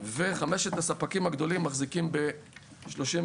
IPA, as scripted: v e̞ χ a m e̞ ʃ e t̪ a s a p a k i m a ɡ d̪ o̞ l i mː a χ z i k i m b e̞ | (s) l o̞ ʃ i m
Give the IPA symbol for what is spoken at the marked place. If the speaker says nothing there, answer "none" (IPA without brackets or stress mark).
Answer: ʃ